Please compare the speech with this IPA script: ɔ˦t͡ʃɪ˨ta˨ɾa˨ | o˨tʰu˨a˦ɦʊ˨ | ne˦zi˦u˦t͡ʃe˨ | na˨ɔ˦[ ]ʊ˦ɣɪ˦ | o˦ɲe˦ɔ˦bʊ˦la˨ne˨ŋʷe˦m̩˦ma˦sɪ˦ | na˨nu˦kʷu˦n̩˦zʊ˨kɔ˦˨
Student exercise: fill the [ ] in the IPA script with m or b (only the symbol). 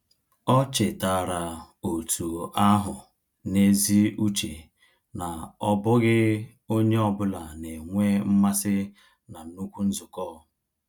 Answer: b